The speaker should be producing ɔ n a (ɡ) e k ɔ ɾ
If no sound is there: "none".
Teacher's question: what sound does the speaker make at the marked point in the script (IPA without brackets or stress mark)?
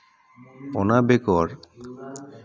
b